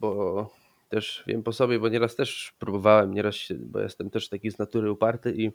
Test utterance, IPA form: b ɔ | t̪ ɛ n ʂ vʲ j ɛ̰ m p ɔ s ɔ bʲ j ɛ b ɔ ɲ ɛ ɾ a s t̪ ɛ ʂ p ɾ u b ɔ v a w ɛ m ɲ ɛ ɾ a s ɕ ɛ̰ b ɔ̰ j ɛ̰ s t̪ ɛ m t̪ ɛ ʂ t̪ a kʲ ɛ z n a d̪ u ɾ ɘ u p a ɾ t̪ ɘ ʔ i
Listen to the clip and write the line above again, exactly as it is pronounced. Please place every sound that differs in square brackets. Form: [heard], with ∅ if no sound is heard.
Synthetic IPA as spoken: b ɔ | t̪ ɛ [∅] ʂ vʲ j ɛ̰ m p ɔ s ɔ bʲ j ɛ b ɔ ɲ ɛ ɾ a s t̪ ɛ ʂ p ɾ u b ɔ v a w ɛ m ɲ ɛ ɾ a s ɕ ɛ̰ b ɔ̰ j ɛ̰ s t̪ ɛ m t̪ ɛ ʂ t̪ a kʲ [i] z n a [t̪] u ɾ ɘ u p a ɾ t̪ ɘ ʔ i